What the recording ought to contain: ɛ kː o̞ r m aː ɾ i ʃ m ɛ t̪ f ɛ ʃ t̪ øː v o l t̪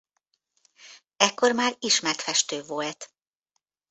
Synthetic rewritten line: ɛ kː o̞ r m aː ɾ i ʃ m ɛ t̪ f ɛ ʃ t̪ øː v o l t̪